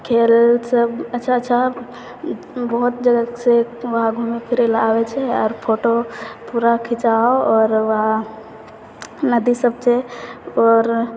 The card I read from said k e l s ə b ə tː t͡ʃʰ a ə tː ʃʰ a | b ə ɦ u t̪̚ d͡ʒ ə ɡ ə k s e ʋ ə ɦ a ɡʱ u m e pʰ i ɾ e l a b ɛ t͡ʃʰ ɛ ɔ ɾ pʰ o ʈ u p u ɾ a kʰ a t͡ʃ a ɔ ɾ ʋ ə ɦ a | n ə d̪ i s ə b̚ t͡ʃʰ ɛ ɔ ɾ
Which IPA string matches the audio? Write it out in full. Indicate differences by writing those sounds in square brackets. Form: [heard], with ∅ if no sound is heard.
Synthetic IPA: [kʰ] e l s ə b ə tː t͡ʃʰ a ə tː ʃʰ a | b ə ɦ u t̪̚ d͡ʒ ə ɡ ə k s e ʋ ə ɦ a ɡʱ u m e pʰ i ɾ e l a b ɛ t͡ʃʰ ɛ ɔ ɾ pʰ o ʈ [o] p u ɾ a kʰ [i] t͡ʃ a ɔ ɾ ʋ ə ɦ a | n ə d̪ i s ə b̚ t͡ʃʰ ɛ ɔ ɾ